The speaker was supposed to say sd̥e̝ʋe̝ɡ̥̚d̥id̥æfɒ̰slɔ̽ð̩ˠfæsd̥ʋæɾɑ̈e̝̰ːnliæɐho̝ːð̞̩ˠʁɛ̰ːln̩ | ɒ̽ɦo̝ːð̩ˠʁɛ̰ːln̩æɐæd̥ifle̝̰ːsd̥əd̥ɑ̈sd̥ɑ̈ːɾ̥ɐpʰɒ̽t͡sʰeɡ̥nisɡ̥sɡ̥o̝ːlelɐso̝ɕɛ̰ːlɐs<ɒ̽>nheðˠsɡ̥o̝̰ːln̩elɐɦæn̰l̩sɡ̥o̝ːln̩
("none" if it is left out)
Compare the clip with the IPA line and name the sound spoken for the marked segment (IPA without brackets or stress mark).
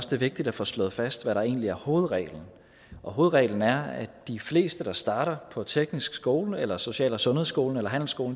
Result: ɔ̽